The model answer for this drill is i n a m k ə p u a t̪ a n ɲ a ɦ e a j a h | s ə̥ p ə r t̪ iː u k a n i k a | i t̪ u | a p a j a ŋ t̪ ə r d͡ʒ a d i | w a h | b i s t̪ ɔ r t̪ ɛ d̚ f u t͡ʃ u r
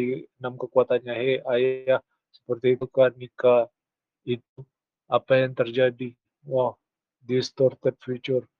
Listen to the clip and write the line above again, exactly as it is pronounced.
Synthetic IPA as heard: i n a m k ə k u a t̪ a n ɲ a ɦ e a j a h | s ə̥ p ə r t̪ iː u k a n i k a | i t̪ u | a p a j a ŋ t̪ ə r d͡ʒ a d i | w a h | d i s t̪ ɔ r t̪ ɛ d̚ f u t͡ʃ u r